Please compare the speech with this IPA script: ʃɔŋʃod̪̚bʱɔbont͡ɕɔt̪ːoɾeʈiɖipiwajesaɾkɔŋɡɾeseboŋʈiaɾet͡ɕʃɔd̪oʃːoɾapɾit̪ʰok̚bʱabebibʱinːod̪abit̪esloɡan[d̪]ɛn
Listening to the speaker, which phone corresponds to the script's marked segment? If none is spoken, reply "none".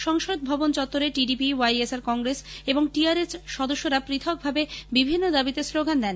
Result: d̪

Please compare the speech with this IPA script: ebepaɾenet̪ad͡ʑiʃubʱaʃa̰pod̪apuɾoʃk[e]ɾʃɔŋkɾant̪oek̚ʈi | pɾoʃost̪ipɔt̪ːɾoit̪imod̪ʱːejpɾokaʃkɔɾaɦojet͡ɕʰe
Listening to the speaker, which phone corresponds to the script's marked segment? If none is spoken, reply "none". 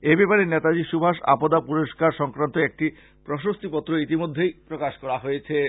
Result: a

